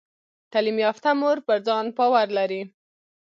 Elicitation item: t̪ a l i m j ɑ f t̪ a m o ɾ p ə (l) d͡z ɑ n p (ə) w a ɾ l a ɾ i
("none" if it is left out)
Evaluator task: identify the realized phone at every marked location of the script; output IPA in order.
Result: ɾ, ɑ

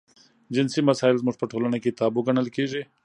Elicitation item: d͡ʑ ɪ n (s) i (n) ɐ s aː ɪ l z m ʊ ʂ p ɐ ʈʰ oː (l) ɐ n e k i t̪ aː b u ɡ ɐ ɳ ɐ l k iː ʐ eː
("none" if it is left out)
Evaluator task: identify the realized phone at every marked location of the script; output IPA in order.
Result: s, m, l

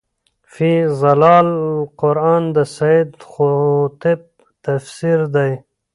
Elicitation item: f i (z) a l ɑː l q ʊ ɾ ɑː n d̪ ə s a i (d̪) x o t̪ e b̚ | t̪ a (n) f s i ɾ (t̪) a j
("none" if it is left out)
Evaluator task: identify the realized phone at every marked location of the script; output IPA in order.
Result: z, d̪, none, d̪

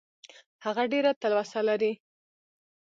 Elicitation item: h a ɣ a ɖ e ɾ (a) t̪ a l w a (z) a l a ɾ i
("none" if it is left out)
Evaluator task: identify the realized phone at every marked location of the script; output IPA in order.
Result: a, s

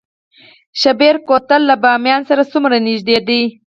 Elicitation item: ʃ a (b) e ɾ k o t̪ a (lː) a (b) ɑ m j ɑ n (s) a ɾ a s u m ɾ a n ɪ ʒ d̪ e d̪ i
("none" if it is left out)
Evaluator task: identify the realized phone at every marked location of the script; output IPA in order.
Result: b, lː, b, s

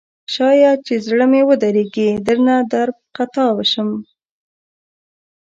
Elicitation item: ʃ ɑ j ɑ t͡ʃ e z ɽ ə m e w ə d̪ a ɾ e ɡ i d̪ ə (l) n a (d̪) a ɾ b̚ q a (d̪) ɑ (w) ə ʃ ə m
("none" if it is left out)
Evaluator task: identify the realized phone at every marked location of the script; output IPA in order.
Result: ɾ, d̪, t̪, w

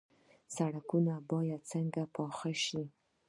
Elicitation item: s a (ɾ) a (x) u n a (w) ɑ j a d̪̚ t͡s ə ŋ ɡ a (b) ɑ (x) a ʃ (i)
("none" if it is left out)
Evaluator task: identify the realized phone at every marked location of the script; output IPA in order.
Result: ɽ, k, b, p, x, i

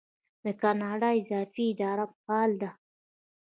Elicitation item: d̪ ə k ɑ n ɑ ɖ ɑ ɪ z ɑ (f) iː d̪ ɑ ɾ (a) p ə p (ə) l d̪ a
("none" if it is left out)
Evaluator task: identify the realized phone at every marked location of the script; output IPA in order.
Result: f, a, ɑ

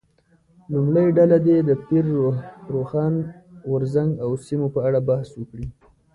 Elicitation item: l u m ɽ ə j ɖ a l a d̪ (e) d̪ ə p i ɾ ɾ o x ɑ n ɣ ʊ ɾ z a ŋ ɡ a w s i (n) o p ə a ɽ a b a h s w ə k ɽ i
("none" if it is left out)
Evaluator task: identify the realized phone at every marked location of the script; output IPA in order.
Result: e, m

